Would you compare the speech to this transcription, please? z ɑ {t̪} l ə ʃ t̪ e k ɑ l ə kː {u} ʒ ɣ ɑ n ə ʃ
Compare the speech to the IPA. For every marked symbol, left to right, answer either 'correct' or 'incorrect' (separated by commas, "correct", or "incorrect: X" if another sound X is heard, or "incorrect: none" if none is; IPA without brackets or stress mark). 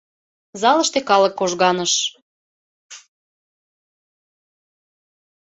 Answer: incorrect: none, incorrect: o